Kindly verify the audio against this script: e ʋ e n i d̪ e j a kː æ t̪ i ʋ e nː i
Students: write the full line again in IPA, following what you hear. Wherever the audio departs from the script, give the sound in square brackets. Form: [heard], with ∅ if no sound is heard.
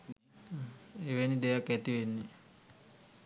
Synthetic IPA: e ʋ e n i d̪ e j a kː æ t̪ i ʋ e nː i